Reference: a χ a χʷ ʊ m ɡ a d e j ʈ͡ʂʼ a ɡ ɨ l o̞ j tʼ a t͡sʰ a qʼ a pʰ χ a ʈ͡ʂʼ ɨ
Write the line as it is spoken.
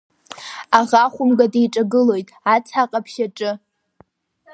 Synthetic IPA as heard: a ʁ a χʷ ʊ m ɡ a d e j ʈ͡ʂʼ a ɡ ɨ l o̞ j tʼ a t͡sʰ a qʼ a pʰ ʃ a ʈ͡ʂʼ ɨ

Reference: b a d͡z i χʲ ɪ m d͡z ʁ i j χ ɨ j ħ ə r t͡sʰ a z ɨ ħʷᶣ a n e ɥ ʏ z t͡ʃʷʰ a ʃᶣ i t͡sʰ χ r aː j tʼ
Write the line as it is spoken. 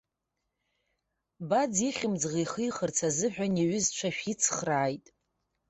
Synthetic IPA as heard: b a d͡z i χʲ ɪ m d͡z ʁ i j χ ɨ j χ ə r t͡sʰ a z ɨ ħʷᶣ a n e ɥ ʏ z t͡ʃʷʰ a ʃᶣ i t͡sʰ χ r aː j tʼ

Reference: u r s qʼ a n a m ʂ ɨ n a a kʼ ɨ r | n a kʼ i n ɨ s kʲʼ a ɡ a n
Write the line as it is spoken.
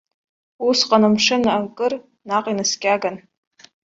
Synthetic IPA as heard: u s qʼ a n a m ʂ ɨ n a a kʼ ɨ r | n a qʼ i n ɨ s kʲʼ a ɡ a n

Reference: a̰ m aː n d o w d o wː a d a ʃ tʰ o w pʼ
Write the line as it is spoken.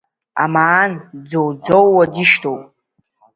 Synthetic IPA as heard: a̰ m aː n d͡z o w d͡z o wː a d i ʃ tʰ o w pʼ

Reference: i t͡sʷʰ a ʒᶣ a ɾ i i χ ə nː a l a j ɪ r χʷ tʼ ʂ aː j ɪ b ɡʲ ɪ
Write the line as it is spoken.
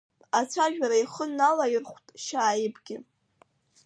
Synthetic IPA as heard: a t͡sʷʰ a ʒᶣ a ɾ a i χ ə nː a l a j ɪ r χʷ tʼ ʃ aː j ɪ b ɡʲ ɪ

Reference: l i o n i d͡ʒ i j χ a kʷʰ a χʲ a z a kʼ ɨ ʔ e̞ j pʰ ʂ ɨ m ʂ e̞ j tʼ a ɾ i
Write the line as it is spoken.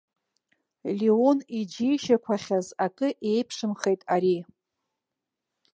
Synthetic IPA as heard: l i o n i d͡ʒ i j ʃ a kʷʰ a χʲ a z a kʼ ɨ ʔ e̞ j pʰ ʂ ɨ m χ e̞ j tʼ a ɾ i

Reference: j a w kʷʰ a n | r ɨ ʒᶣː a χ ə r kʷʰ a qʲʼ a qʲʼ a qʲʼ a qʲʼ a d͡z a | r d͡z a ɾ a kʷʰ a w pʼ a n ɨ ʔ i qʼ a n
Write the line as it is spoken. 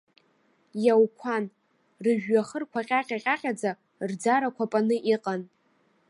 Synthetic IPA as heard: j a w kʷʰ a n | r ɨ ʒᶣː a χ ə r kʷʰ a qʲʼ a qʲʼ a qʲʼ a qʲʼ a d͡z a | r d͡z a ɾ a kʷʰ a pʼ a n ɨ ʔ i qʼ a n

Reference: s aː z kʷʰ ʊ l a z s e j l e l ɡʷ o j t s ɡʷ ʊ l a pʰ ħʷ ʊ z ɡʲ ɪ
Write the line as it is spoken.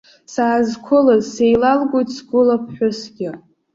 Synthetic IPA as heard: s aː z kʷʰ ʊ l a z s e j l a l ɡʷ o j t s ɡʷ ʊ l a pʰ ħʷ ʊ s ɡʲ ɪ

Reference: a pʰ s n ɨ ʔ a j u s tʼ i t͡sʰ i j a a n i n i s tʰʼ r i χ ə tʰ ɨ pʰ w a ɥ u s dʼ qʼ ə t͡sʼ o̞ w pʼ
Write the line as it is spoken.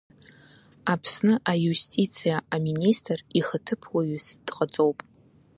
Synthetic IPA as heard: a pʰ s n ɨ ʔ a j u s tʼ i t͡sʰ i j a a m i n i s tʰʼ r i χ ə tʰ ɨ pʰ w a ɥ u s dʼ qʼ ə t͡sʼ o̞ w pʼ

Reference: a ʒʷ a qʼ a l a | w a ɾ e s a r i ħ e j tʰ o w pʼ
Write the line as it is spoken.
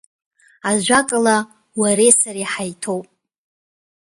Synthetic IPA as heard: a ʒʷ a kʼ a l a | w a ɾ e s a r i ħ a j tʰ o w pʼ

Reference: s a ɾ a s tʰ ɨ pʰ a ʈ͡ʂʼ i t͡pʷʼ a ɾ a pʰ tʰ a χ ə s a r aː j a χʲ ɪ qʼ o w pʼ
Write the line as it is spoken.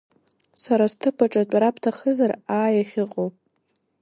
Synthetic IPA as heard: s a ɾ a s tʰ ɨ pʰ a ʈ͡ʂʼ a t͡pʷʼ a ɾ a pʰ tʰ a χ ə z a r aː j a χʲ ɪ qʼ o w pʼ

